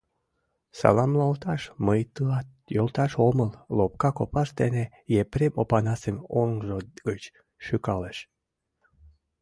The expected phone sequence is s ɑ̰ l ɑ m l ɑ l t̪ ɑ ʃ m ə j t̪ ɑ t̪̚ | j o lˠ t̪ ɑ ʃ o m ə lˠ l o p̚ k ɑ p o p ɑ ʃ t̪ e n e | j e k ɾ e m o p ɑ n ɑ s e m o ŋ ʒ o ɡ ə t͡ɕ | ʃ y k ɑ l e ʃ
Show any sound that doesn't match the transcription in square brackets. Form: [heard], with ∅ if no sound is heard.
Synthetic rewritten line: s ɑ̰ l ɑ m l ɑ l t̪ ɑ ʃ m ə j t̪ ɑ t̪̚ | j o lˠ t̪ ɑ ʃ o m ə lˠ l o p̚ k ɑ [k] o p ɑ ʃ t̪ e n e | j e [p] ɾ e m o p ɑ n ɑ s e m o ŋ ʒ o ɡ ə t͡ɕ | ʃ y k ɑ l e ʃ

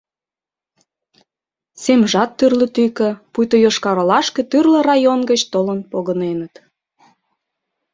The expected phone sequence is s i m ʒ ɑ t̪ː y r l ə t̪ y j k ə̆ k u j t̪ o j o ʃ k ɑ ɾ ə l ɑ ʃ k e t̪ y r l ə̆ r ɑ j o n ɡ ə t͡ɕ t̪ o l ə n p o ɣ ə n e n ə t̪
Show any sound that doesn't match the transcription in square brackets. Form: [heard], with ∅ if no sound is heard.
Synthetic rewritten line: s [e] m ʒ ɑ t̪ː y r l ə t̪ y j k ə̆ [p] u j t̪ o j o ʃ k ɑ ɾ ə l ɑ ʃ k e t̪ y r l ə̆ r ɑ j o n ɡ ə t͡ɕ t̪ o l ə n p o ɣ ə n e n ə t̪

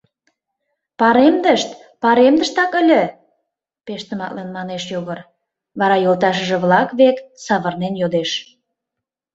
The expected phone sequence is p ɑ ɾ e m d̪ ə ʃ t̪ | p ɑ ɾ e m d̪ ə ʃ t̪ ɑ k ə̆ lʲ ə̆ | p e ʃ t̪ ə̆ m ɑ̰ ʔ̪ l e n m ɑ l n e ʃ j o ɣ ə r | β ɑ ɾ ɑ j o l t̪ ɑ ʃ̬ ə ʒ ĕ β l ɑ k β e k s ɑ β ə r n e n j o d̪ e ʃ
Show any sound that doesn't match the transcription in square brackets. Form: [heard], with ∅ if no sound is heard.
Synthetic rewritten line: p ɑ ɾ e m d̪ ə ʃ t̪ | p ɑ ɾ e m d̪ ə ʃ t̪ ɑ k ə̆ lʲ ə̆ | p e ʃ t̪ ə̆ m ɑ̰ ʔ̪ l e n m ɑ [∅] n e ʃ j o ɣ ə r | β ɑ ɾ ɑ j o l t̪ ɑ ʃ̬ ə ʒ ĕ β l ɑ k β e k s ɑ β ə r n e n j o d̪ e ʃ

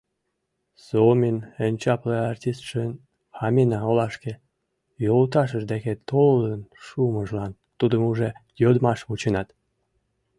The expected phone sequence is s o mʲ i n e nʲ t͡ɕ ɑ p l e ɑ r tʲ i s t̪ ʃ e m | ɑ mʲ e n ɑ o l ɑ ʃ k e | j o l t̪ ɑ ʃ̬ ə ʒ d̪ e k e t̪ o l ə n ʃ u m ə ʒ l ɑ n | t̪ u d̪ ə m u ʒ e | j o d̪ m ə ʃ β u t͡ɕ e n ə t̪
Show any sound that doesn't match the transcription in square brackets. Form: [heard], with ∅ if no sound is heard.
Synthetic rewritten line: s o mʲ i n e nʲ t͡ɕ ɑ p l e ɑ r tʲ i s t̪ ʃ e [n] | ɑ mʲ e n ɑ o l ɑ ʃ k e | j o l t̪ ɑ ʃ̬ ə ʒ d̪ e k e t̪ o l ə n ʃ u m ə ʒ l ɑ n | t̪ u d̪ ə m u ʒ e | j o d̪ m [ɑ] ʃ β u t͡ɕ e n [ɑ] t̪

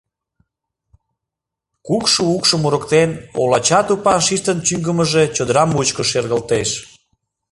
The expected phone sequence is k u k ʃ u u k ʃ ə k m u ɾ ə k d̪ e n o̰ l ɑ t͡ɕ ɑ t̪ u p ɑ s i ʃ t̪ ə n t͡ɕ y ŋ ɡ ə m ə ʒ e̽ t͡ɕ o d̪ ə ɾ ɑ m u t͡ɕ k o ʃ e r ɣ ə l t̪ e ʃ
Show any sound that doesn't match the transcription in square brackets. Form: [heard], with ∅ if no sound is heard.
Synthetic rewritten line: k u k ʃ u u k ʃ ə [∅] m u ɾ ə k [t̪] e n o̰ l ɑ t͡ɕ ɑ t̪ u p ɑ [ʃ] i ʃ t̪ ə n t͡ɕ y ŋ ɡ ə m ə ʒ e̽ t͡ɕ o d̪ ə ɾ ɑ m u t͡ɕ k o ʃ e r ɣ ə l t̪ e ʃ

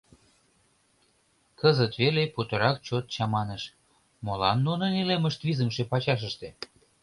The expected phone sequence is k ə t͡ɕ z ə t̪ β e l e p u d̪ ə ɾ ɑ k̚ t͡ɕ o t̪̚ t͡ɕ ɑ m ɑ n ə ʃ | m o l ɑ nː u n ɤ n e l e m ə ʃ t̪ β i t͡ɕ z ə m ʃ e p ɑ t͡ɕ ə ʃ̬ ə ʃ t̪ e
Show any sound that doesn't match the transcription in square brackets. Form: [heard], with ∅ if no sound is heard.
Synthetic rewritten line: k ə [∅] z ə t̪ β e l e p u [t̪] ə ɾ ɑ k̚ t͡ɕ o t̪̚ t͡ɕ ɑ m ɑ n ə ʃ | m o l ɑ nː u n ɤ n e l e m ə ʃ t̪ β i [∅] z ə m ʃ e p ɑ t͡ɕ [ɑ] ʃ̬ ə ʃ t̪ e

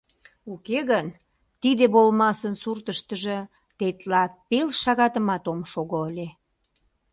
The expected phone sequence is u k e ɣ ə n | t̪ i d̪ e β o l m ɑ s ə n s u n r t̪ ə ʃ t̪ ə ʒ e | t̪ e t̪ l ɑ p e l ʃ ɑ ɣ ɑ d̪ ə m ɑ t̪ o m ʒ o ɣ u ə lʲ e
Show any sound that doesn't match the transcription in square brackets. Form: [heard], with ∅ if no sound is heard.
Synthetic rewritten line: u k e ɣ ə n | t̪ i d̪ e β o l m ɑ s ə n s u [∅] r t̪ ə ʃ t̪ ə ʒ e | t̪ e t̪ l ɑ p e l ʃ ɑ ɣ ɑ [t̪] ə m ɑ t̪ o m [ʃ] o ɣ [o] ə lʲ e

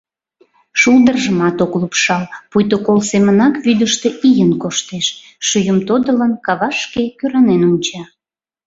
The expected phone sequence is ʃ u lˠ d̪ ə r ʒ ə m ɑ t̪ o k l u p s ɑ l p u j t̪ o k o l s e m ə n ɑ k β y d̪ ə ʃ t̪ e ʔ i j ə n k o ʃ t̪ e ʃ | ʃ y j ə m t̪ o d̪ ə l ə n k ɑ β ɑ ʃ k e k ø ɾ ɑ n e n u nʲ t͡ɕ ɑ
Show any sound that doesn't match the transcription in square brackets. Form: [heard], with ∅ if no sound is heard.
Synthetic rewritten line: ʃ u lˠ d̪ ə r ʒ ə m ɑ t̪ o k l u p [ʃ] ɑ l p u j t̪ o k o l s e m ə n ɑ k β y d̪ ə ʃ t̪ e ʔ i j ə n k o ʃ t̪ e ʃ | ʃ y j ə m t̪ o d̪ ə l ə n k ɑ β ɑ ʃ k e k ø ɾ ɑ n e n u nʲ t͡ɕ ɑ

